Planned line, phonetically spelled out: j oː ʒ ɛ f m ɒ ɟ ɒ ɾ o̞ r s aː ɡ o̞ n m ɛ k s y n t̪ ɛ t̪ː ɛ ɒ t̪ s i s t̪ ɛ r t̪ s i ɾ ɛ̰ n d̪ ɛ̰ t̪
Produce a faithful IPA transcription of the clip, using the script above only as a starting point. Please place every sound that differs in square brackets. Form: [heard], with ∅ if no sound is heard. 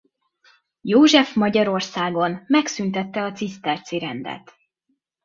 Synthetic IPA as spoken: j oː ʒ ɛ f m ɒ ɟ ɒ ɾ o̞ r s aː ɡ o̞ n m ɛ k s y n t̪ ɛ t̪ː ɛ ɒ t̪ s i s t̪ ɛ r t̪ s i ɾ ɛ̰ n d̪ ɛ̰ t̪